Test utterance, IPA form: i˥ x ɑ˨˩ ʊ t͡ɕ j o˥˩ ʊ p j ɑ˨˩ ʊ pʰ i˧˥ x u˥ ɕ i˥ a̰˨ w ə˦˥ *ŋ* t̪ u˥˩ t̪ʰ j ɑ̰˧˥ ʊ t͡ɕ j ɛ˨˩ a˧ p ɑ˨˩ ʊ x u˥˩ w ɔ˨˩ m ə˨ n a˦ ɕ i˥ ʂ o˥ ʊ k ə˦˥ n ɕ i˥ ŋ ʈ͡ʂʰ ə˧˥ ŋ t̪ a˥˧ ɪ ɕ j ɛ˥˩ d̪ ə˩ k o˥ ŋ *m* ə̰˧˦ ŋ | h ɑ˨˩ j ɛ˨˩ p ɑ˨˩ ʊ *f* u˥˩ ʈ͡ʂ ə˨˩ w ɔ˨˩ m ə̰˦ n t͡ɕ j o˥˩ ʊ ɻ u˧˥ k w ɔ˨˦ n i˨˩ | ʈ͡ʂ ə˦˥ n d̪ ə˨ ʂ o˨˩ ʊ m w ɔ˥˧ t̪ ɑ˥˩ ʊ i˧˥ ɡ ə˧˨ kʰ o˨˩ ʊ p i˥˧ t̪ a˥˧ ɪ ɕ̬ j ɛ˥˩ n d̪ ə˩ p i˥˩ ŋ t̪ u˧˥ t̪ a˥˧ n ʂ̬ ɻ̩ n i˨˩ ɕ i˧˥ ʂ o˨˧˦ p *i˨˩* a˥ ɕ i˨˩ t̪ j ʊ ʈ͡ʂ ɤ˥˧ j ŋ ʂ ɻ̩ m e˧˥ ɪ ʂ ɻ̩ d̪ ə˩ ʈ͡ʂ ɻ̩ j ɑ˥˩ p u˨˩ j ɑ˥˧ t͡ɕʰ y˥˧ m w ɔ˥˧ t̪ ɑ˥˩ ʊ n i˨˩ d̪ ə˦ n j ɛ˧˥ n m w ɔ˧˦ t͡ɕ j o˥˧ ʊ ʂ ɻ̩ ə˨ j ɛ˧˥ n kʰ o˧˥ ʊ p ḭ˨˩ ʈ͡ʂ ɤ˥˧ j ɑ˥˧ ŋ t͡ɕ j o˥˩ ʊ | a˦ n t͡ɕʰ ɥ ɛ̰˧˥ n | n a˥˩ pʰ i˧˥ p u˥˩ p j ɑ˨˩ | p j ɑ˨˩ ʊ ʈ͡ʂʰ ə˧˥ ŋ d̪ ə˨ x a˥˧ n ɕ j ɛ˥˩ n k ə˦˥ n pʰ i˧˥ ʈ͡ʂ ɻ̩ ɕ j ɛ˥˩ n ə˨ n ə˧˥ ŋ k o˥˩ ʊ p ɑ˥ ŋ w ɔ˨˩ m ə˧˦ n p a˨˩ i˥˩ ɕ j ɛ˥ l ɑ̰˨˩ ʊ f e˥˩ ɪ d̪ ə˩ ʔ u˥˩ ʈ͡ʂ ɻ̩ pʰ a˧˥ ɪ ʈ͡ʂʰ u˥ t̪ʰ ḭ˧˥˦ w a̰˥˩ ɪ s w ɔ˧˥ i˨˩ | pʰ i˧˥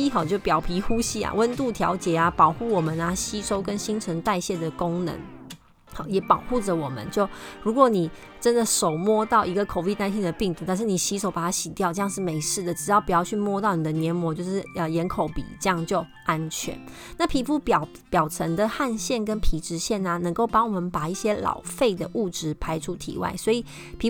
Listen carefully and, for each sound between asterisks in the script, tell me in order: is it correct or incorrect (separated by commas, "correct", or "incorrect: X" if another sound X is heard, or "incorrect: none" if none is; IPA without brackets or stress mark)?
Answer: incorrect: n, incorrect: n, incorrect: x, incorrect: a˨˩